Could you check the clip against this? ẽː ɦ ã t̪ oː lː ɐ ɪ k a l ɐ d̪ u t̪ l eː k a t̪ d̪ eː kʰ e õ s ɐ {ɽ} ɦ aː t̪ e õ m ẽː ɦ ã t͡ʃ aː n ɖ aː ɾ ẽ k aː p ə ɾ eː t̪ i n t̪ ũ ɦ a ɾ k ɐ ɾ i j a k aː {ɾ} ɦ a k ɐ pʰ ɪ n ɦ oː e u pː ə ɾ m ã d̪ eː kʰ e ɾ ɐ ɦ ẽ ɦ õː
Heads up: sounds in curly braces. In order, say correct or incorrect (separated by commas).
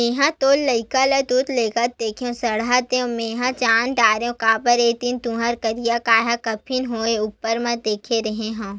correct, incorrect